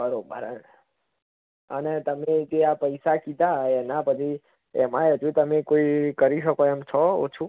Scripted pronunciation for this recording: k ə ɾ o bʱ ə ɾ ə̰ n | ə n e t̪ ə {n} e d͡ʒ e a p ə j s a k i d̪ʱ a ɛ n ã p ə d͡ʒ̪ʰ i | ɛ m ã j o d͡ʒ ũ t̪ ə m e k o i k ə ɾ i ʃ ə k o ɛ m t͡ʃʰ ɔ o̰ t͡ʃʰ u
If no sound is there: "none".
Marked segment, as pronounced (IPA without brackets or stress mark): m